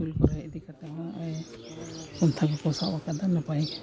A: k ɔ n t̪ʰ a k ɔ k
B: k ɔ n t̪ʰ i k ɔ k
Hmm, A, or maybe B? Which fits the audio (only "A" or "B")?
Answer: A